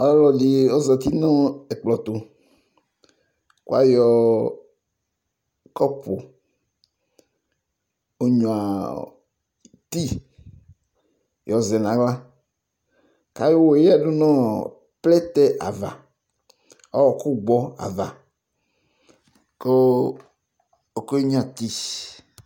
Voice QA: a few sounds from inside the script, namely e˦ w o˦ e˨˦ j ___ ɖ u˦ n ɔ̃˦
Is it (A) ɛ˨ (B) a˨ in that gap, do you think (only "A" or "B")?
B